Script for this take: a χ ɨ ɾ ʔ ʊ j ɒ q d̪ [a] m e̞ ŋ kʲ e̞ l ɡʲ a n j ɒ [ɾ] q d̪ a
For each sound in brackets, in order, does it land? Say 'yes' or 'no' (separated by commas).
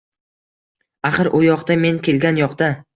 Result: yes, no